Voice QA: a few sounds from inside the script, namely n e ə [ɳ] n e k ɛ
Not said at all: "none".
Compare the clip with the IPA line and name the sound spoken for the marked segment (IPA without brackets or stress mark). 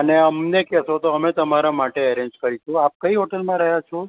m